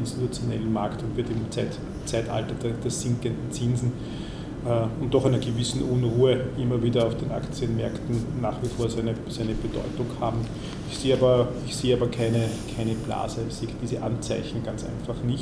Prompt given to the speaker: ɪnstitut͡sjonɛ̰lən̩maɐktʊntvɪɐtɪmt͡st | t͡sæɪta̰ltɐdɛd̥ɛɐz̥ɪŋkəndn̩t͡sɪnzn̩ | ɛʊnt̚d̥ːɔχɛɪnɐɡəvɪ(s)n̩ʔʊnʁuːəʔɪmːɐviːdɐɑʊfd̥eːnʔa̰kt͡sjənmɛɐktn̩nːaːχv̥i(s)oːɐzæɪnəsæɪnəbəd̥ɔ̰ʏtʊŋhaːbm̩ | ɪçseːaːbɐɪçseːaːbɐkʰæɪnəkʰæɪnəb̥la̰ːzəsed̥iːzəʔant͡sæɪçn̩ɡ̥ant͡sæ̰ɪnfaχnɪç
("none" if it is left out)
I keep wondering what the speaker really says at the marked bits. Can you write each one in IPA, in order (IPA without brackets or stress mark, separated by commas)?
s, f